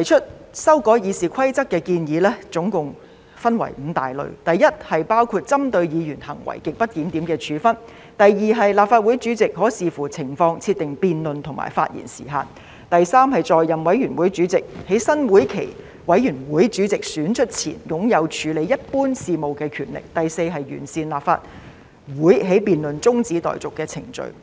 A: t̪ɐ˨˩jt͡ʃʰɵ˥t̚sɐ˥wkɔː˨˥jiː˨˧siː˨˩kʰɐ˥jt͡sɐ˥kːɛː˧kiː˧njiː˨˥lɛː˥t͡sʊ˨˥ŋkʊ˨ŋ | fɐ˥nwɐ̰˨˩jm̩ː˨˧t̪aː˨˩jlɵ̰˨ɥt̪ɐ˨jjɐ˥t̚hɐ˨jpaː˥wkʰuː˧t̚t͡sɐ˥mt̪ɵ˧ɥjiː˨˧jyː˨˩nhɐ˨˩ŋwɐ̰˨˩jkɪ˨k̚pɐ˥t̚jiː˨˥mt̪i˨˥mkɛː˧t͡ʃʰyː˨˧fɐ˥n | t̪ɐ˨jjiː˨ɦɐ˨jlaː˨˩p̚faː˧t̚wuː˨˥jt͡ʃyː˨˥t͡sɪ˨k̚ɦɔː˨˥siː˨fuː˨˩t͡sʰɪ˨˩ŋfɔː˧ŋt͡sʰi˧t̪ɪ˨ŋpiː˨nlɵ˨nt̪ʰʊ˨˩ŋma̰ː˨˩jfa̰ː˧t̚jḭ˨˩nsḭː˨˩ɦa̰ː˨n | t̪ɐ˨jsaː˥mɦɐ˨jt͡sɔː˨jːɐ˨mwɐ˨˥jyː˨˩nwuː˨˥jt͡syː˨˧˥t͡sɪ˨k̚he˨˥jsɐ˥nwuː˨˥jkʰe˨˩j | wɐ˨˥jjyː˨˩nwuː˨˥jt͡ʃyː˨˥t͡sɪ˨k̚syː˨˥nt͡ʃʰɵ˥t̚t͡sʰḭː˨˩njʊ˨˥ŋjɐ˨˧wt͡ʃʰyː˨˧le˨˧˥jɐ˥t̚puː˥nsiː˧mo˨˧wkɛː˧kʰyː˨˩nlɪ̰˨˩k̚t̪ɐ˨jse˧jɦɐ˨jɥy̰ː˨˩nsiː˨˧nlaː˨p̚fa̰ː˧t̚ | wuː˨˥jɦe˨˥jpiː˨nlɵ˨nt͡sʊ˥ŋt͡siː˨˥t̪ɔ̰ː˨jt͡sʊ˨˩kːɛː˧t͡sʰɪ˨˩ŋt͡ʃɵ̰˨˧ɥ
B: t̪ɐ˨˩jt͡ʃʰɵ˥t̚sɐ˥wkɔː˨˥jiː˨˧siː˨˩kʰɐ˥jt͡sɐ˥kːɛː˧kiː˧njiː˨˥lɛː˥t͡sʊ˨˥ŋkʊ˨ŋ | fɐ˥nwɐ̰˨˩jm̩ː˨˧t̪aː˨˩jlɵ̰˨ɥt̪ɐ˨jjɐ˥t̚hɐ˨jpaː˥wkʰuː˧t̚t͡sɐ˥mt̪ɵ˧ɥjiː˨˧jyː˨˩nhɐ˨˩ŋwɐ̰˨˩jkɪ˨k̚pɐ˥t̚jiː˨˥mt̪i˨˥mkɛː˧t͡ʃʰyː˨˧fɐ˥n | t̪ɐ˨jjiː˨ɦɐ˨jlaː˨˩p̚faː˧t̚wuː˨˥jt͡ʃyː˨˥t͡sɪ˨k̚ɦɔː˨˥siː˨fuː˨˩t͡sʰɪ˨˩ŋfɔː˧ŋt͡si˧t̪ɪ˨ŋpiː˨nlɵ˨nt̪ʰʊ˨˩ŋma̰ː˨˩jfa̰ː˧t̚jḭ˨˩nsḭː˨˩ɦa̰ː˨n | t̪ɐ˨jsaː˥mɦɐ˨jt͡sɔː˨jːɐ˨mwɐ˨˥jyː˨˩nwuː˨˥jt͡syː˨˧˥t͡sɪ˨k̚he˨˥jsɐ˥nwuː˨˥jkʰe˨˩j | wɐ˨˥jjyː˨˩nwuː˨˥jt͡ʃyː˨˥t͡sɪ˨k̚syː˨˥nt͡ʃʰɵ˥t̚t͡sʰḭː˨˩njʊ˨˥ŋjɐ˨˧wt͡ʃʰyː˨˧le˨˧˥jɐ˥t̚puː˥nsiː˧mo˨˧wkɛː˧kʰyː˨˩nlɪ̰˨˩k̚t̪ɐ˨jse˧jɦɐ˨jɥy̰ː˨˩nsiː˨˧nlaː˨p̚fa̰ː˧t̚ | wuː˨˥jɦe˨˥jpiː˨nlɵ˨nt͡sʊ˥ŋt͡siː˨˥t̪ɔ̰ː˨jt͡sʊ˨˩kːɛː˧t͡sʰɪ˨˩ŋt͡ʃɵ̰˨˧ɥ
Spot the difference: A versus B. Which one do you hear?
A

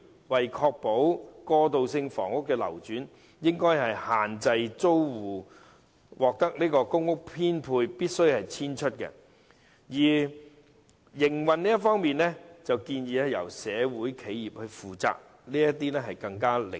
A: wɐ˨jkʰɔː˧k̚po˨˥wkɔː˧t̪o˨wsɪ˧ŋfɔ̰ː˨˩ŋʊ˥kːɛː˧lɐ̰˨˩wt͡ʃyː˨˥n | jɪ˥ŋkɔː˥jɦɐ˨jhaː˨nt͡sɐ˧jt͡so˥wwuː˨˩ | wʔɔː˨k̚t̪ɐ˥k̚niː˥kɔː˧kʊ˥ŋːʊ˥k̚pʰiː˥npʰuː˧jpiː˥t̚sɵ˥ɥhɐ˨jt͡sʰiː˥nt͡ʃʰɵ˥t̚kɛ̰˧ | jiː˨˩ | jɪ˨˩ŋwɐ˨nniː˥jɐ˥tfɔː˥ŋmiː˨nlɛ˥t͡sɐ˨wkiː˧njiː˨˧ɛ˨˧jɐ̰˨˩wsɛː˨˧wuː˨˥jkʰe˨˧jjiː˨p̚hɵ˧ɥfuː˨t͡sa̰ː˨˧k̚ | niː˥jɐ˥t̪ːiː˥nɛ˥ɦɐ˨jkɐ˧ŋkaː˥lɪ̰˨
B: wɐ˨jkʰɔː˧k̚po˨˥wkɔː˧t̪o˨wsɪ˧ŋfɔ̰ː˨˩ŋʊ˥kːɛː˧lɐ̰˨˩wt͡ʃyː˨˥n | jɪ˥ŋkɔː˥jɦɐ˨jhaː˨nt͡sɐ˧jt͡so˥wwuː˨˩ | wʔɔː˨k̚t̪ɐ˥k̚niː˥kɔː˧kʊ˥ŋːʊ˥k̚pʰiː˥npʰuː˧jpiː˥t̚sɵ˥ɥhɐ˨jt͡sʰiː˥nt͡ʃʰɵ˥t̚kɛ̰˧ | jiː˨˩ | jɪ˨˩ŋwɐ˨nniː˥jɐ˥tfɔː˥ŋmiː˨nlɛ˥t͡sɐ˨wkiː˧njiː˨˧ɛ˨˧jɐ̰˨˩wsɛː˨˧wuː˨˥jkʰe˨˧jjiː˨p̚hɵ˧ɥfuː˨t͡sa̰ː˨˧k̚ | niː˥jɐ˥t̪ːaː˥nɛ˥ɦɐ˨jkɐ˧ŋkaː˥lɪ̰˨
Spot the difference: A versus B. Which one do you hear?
A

